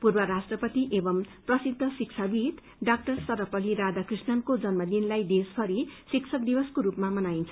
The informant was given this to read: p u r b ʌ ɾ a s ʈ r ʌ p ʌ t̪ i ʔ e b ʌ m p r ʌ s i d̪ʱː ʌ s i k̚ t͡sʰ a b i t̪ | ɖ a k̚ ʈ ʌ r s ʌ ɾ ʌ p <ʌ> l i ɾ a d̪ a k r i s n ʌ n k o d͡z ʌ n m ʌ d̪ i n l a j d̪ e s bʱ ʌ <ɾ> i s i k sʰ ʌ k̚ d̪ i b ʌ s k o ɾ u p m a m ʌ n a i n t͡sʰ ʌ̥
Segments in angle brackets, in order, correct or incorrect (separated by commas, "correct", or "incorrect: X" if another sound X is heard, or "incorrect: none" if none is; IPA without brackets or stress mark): correct, correct